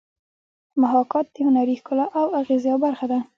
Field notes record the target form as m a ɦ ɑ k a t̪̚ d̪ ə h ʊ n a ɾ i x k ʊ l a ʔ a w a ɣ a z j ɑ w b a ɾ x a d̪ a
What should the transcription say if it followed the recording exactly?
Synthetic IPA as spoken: m a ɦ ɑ k ɑ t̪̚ d̪ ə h ʊ n a ɾ i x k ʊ l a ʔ a w a ɣ e z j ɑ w b a ɾ x a d̪ a